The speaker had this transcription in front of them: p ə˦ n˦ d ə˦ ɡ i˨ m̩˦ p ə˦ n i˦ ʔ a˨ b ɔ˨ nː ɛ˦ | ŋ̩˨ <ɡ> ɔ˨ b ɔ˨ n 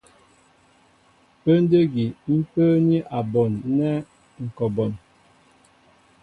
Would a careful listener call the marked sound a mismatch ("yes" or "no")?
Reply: yes